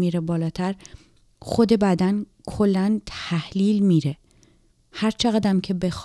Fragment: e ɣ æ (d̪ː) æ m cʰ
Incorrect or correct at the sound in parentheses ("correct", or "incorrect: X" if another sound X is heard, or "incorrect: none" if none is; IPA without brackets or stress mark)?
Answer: incorrect: d̪